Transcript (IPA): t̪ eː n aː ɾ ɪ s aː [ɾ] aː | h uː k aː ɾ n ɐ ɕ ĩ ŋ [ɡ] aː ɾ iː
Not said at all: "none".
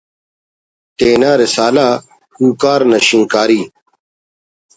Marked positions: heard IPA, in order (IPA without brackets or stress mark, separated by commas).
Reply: l, k